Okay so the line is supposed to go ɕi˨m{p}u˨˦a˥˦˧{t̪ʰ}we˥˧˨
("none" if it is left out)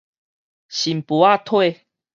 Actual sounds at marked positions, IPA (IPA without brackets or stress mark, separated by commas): p, t̪ʰ